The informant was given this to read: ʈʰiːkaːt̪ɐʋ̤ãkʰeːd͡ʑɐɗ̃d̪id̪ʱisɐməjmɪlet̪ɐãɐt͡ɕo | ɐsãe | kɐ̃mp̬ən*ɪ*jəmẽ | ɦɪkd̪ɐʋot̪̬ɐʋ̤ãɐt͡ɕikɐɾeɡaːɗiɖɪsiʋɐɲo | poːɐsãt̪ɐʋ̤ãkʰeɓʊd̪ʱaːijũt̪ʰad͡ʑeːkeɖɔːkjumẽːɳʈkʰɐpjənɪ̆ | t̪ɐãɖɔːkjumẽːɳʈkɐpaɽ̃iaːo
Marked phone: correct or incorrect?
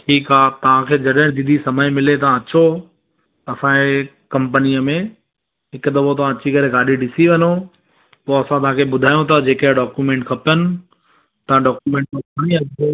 incorrect